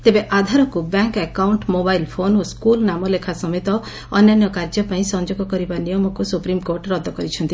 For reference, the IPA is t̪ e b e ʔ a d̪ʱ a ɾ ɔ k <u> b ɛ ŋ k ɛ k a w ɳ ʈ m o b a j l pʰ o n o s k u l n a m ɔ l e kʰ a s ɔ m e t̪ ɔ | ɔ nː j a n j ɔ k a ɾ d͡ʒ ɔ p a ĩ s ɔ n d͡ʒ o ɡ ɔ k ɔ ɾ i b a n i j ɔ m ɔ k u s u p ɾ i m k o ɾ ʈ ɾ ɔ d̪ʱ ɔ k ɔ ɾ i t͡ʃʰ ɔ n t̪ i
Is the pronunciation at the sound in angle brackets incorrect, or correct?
correct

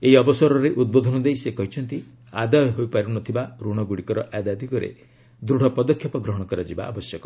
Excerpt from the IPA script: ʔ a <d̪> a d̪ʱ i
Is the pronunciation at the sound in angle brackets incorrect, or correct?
correct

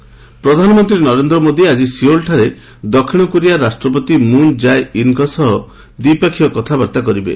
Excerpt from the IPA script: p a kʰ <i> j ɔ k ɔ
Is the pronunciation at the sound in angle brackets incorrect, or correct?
correct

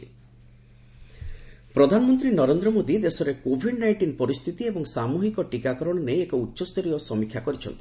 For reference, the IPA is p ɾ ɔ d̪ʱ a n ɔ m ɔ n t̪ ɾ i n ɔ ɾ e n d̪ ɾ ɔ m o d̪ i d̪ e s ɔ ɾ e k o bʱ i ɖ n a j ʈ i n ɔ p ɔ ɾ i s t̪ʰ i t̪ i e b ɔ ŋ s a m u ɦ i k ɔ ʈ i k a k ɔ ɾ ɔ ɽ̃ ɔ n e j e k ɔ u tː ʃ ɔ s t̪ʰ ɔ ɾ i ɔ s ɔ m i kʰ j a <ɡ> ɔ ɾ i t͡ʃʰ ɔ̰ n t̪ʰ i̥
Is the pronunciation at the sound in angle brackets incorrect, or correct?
incorrect: k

